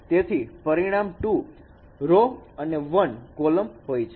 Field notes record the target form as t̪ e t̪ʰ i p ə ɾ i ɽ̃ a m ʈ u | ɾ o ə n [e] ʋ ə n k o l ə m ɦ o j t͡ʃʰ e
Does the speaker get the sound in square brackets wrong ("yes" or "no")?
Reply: no